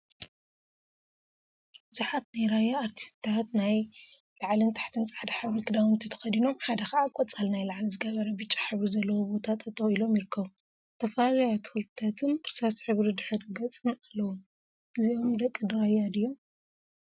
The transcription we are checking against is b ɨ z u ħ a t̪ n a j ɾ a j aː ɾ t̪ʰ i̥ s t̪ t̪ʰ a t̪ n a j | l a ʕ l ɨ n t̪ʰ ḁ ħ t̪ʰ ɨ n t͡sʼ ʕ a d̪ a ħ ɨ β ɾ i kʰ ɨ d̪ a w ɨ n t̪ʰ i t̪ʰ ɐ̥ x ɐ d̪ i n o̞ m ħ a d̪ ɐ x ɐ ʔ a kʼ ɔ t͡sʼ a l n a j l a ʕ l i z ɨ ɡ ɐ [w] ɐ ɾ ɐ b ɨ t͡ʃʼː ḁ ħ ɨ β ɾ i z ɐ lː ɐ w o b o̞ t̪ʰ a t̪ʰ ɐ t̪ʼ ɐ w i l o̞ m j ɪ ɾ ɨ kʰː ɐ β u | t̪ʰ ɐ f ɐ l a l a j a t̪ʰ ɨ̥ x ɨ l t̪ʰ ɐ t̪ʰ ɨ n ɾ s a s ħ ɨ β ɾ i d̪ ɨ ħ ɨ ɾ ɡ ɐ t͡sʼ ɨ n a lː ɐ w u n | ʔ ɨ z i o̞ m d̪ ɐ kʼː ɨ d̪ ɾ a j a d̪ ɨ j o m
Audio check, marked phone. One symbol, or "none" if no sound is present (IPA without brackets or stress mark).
β